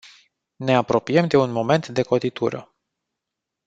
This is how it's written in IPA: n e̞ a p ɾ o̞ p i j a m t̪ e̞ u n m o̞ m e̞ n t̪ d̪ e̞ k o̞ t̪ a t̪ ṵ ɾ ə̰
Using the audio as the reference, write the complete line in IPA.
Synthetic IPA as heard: n e̞ a p ɾ o̞ p i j e m d̪ e̞ u n m o̞ m e̞ n t̪ d̪ e̞ k o̞ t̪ i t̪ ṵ ɾ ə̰